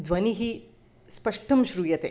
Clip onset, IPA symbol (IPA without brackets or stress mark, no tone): d̪